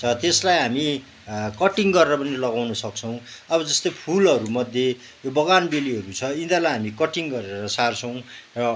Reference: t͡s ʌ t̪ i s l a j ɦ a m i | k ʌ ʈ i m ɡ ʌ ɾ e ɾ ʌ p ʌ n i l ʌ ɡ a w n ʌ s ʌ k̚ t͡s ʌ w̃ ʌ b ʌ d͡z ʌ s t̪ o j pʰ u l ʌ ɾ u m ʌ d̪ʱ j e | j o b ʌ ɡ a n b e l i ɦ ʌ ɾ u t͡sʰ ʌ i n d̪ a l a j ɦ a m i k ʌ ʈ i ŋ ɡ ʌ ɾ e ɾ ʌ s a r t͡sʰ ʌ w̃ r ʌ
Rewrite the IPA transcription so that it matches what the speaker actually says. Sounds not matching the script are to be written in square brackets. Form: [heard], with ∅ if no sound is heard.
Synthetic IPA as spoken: [t͡sʰ] ʌ t̪ [e] s l a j ɦ a m i | k ʌ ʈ i [ŋ] ɡ ʌ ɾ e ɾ ʌ p ʌ n i l ʌ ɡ a w n ʌ s ʌ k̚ [t͡sʰ] ʌ w̃ ʌ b ʌ d͡z ʌ s t̪ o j pʰ u l ʌ ɾ u m ʌ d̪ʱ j e | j o b ʌ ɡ a n b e l i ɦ ʌ ɾ u t͡sʰ ʌ i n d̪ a l a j ɦ a m i k ʌ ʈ i ŋ ɡ ʌ ɾ e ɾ ʌ s a r t͡sʰ ʌ w̃ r ʌ